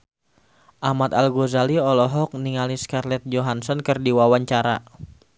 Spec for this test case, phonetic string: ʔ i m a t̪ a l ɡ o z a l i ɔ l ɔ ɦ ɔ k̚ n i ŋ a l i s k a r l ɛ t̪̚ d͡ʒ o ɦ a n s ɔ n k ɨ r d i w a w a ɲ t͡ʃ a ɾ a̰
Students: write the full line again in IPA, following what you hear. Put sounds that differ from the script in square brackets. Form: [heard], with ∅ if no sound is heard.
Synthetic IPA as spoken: ʔ [a] m a t̪ a l ɡ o z a l i ɔ l ɔ ɦ ɔ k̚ n i ŋ a l i s k a r l ɛ t̪̚ d͡ʒ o ɦ a n s ɔ n k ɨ r d i w a w a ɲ t͡ʃ a ɾ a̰

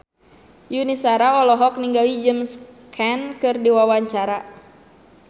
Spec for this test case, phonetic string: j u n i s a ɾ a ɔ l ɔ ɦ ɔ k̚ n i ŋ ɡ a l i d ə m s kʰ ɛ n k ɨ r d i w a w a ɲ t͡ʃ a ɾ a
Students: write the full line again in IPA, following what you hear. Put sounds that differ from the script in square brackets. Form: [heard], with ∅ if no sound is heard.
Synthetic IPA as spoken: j u n i s a ɾ a ɔ l ɔ ɦ ɔ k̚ n i ŋ ɡ a l i [d͡ʒ] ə m s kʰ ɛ n k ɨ r d i w a w a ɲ t͡ʃ a ɾ a

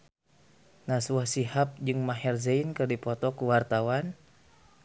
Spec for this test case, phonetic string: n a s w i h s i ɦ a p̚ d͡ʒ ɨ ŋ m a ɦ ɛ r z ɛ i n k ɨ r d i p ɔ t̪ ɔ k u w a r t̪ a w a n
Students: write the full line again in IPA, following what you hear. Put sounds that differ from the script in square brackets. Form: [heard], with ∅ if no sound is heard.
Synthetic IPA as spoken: n a s w [a] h s i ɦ a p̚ d͡ʒ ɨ ŋ m a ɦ ɛ r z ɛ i n k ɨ r d i p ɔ t̪ ɔ k u w a r t̪ a w a n

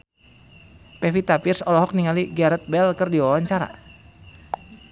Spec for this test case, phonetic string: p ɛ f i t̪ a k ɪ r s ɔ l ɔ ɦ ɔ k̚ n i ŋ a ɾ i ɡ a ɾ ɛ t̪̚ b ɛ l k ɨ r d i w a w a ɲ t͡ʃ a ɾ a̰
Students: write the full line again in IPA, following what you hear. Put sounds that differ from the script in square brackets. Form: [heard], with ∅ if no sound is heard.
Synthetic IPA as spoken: p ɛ f i t̪ a [p] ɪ r s ɔ l ɔ ɦ ɔ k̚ n i ŋ a [l] i ɡ a ɾ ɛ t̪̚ b ɛ l k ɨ r d i w a w a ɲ t͡ʃ a ɾ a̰

